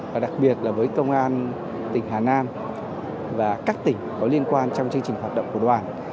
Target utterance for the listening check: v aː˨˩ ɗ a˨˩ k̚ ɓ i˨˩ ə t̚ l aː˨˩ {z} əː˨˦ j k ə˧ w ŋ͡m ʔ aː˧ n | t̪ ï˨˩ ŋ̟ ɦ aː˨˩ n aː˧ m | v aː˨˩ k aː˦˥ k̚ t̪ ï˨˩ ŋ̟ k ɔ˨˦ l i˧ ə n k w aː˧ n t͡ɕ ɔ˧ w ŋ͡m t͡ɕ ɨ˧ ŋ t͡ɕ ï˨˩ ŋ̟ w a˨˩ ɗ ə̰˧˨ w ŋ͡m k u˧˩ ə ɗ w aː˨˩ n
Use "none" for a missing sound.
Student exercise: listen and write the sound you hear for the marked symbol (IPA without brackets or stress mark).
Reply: v